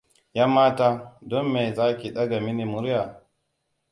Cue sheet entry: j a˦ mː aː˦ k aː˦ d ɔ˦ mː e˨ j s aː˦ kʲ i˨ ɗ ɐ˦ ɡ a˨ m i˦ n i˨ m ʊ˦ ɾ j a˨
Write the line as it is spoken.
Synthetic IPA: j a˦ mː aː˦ t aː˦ d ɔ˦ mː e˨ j z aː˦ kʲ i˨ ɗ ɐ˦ ɡ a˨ m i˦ n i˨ m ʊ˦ ɾ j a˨

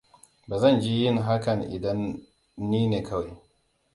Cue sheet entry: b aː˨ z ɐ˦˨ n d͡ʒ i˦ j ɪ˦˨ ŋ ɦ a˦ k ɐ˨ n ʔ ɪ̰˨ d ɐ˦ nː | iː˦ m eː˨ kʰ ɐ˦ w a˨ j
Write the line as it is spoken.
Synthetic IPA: b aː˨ z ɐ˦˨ n d͡ʒ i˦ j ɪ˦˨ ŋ ɦ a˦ k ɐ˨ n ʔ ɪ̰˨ d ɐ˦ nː | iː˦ n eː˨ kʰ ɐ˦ w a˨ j

